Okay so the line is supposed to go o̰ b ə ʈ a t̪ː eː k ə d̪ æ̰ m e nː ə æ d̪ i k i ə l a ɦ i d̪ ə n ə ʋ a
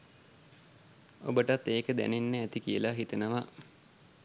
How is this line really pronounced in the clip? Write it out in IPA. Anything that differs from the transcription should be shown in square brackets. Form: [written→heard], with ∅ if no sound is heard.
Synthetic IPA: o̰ b ə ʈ a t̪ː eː k ə d̪ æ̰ [m→n] e nː ə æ [d̪→t̪] i k i ə l a ɦ i [d̪→t̪] ə n ə ʋ a